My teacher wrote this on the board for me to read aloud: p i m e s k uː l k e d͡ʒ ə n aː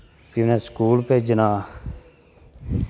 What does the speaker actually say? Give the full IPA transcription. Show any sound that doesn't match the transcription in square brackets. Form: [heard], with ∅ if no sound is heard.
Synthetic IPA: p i [n] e s k uː l [p] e d͡ʒ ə n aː